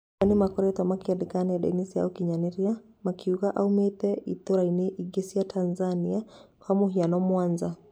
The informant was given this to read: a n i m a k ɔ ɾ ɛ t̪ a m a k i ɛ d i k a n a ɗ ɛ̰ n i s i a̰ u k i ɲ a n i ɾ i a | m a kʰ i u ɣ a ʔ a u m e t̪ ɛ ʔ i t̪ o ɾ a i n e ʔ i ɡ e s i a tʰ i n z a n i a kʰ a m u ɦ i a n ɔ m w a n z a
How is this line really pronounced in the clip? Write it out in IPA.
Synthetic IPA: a n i m a k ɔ ɾ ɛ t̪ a m a k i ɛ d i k a n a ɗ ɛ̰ n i s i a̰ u k i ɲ a n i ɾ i a | m a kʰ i u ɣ a ʔ a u m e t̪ ɛ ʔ i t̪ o ɾ a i n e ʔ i ɡ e s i a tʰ a n z a n i a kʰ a m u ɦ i a n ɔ m w a n z a